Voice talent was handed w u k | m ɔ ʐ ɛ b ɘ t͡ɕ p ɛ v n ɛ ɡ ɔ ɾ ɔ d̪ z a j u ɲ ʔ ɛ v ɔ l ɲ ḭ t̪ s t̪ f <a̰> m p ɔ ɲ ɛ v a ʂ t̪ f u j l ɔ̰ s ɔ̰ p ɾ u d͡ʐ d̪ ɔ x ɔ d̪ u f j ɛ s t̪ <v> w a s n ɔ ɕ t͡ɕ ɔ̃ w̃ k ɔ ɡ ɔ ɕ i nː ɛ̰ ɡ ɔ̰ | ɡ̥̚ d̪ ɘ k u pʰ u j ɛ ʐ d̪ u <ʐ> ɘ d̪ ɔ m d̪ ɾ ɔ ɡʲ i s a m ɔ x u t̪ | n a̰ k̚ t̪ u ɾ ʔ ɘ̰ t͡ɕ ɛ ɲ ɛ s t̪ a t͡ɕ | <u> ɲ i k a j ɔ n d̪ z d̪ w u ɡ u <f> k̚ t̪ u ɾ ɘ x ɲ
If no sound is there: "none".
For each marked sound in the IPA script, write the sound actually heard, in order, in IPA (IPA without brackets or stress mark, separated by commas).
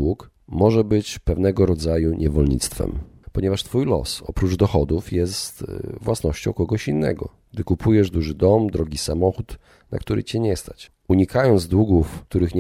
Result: ɛ̰, v, ʐ, u, f